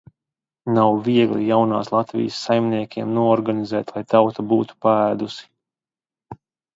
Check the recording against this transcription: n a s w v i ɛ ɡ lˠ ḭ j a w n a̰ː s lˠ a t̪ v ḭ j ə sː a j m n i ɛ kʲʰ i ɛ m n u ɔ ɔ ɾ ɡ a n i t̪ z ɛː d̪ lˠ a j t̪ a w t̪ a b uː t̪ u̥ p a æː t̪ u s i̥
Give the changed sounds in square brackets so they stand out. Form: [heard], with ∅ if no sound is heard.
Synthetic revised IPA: n a [∅] w v i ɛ ɡ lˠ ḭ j a w n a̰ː s lˠ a t̪ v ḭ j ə sː a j m n i ɛ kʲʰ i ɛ m n u ɔ ɔ ɾ ɡ a n i [∅] z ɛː [t̪] lˠ a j t̪ a w t̪ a b uː t̪ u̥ p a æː [d̪] u s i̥